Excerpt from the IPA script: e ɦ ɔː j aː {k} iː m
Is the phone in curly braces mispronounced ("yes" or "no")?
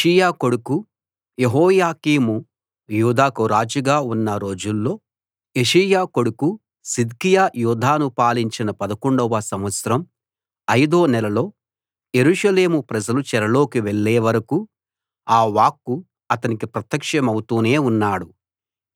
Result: no